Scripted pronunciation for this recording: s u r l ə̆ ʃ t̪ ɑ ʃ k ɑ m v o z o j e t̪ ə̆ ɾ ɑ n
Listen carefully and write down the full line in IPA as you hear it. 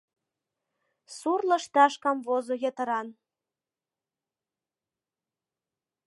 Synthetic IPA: s u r l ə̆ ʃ t̪ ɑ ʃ k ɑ m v o z o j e t̪ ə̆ ɾ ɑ n